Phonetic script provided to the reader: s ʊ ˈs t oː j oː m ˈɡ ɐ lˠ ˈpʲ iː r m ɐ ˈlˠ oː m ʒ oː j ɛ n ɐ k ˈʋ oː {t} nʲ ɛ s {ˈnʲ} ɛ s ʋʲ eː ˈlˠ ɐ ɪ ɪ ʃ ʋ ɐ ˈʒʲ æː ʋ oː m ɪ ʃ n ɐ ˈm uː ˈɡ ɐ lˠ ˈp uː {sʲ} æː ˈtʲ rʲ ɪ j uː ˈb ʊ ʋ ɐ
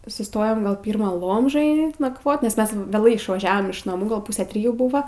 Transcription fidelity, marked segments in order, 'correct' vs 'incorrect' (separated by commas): correct, incorrect, correct